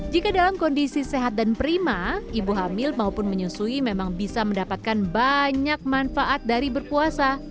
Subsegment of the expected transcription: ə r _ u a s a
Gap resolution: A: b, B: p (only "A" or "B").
B